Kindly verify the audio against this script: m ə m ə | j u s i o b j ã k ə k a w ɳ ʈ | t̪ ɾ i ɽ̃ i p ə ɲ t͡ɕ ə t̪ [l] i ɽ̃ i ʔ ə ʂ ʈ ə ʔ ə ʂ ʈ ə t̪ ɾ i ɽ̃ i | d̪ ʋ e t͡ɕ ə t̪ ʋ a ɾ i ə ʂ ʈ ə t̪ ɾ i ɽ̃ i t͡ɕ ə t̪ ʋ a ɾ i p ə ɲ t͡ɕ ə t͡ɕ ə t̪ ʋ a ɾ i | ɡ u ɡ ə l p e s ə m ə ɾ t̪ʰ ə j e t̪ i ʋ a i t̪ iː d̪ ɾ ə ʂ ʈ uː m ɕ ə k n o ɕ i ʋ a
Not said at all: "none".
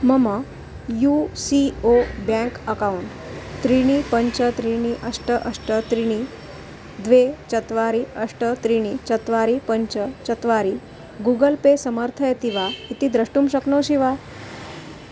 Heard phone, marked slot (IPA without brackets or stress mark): ɾ